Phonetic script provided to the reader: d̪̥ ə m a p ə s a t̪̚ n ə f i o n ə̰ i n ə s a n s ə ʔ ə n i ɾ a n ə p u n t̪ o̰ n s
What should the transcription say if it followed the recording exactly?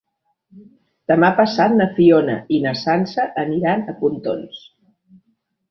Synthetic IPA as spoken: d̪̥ ə m a p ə s a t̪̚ n ə f i o n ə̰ i n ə s a n s ə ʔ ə n i ɾ a n ə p u n t̪ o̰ n s